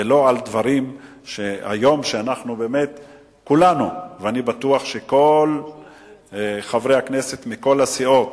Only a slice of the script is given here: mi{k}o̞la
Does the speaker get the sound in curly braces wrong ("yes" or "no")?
no